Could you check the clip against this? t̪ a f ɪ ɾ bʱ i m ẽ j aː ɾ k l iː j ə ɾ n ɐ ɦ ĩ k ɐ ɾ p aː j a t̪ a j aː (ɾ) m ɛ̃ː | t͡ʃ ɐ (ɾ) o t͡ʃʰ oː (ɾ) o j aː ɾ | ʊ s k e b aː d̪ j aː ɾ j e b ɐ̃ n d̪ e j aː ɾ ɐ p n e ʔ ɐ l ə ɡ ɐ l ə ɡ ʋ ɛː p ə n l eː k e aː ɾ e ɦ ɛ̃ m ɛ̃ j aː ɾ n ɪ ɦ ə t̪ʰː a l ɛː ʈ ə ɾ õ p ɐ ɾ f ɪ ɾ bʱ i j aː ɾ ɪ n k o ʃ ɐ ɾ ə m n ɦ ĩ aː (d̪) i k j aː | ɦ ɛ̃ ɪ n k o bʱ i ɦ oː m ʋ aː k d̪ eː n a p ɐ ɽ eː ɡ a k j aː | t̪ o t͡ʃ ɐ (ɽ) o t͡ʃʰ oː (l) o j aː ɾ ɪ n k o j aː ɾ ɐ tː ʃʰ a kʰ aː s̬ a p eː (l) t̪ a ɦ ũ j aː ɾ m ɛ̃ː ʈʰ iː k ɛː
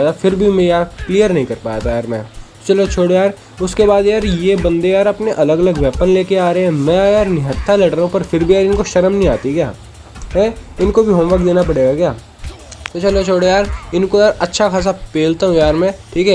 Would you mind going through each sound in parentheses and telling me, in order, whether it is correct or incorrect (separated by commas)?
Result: correct, incorrect, incorrect, incorrect, incorrect, incorrect, correct